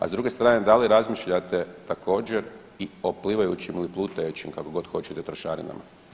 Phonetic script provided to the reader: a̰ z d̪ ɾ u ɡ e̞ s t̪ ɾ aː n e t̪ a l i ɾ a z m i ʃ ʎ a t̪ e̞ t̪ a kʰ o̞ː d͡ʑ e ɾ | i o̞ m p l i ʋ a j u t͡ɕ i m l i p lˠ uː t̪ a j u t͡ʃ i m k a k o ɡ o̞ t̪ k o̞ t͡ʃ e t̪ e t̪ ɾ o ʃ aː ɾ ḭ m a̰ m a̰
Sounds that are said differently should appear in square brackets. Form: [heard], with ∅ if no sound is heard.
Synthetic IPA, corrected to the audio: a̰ z d̪ ɾ u ɡ e̞ s t̪ ɾ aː n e [d̪] a l i ɾ a z m i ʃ ʎ a t̪ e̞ t̪ a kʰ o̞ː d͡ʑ e ɾ | i o̞ [∅] p l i ʋ a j u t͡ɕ i m l i p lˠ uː t̪ a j u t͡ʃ i m k a k o ɡ o̞ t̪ [x] o̞ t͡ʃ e t̪ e t̪ ɾ o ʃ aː ɾ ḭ [n] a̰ m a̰